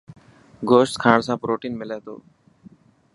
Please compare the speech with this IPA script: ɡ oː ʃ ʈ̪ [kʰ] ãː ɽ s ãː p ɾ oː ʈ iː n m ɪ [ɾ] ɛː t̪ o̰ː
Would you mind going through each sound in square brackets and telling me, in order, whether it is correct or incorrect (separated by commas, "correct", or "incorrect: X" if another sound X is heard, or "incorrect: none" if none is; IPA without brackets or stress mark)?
correct, incorrect: l